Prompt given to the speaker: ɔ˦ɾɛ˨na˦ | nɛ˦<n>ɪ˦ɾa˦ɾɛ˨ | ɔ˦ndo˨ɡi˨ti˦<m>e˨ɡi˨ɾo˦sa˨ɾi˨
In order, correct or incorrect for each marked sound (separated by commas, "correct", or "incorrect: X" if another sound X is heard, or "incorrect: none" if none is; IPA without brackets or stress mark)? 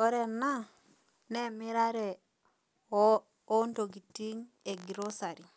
incorrect: m, incorrect: ŋ